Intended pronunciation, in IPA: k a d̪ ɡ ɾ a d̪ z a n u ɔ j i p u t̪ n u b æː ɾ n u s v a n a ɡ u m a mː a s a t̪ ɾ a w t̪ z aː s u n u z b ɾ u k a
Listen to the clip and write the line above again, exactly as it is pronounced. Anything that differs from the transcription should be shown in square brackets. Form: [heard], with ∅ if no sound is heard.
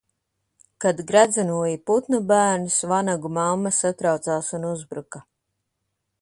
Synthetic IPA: k a d̪ ɡ ɾ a d̪ z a n u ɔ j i p u t̪ n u b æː ɾ n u s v a n a ɡ u m a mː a s a t̪ ɾ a w t̪ [s] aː s u n u z b ɾ u k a